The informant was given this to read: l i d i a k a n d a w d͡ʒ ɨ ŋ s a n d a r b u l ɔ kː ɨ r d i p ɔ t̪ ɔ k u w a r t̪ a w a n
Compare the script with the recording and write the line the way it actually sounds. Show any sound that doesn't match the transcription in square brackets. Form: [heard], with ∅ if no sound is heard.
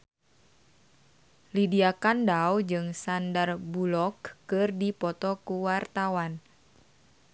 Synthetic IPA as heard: l i d i a k a n d a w d͡ʒ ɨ ŋ s a n d a r b u l ɔ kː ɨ r d i p ɔ t̪ ɔ k u w a r t̪ a w a n